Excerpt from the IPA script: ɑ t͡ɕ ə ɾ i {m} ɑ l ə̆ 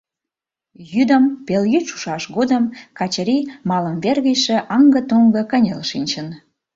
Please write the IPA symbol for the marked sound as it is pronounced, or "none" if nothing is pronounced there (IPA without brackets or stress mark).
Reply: m